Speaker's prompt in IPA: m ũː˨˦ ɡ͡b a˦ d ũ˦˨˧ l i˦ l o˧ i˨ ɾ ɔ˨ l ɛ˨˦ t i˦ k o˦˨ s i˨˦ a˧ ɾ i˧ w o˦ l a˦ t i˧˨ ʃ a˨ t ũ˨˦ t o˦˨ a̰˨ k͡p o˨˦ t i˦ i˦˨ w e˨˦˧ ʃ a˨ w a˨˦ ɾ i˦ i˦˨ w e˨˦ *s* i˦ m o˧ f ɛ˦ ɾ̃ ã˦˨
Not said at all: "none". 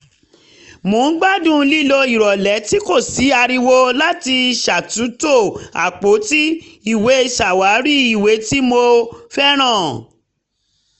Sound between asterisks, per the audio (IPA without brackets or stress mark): t